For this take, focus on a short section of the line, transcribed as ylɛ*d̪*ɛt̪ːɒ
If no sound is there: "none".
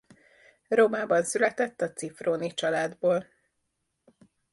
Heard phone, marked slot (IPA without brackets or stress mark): t̪